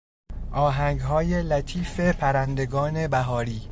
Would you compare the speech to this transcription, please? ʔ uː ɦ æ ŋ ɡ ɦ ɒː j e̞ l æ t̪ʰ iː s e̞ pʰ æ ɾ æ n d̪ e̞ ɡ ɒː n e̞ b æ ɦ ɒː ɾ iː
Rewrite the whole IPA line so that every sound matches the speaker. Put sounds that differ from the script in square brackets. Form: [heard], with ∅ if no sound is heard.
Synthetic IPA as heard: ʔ [ɒː] ɦ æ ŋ ɡ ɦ ɒː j e̞ l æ t̪ʰ iː [f] e̞ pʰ æ ɾ æ n d̪ e̞ ɡ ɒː n e̞ b æ ɦ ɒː ɾ iː